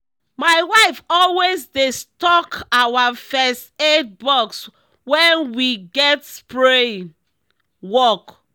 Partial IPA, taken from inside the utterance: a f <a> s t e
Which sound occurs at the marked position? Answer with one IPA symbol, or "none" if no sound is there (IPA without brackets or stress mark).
ɛ